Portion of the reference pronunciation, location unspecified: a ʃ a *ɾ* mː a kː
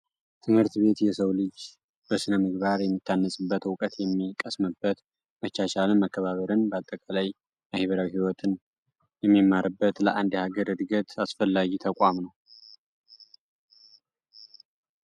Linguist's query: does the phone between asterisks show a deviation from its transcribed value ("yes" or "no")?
yes